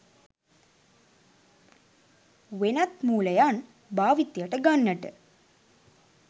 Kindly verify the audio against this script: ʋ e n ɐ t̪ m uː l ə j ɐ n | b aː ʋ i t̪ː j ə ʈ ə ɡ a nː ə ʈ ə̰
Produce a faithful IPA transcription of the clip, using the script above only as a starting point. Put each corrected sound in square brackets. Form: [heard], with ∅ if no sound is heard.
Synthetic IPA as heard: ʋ e n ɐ t̪ m uː l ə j [a] n | b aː ʋ i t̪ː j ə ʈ ə ɡ a nː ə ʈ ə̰